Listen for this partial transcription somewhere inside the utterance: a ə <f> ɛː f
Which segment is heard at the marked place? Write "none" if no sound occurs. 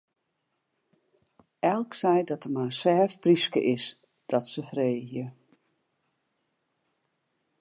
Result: s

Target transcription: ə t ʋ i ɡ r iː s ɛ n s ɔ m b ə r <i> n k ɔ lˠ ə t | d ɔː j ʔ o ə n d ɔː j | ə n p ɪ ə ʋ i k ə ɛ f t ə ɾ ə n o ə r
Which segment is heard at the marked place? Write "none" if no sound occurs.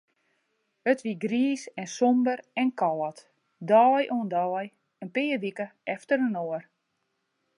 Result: ɛ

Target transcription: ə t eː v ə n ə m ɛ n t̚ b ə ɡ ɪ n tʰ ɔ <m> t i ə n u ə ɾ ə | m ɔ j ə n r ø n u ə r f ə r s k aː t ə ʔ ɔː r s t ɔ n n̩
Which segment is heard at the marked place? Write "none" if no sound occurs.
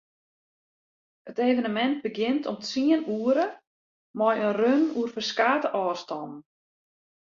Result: m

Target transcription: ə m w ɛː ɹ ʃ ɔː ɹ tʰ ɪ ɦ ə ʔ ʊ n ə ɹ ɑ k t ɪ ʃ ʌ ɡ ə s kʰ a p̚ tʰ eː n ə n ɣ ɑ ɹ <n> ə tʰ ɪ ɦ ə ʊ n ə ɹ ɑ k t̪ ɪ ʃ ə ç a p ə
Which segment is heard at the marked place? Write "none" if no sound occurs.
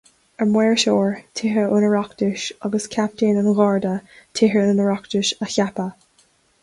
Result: d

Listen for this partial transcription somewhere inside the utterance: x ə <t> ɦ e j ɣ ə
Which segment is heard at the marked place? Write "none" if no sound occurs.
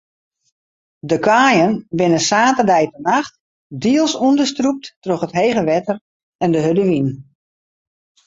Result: t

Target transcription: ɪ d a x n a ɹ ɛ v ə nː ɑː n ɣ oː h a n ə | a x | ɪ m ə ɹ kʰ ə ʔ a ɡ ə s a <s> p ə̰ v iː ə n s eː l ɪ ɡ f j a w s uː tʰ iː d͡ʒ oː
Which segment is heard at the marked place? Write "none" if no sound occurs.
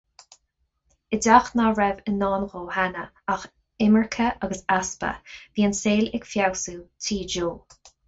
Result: s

